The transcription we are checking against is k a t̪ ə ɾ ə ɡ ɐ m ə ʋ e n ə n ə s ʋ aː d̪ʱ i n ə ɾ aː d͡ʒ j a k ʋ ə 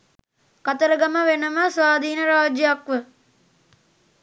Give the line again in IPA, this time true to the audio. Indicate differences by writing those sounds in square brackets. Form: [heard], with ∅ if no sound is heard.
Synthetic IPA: k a t̪ ə ɾ ə ɡ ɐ m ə ʋ e n ə [m] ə s ʋ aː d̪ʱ [iː] n ə ɾ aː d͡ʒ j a k ʋ ə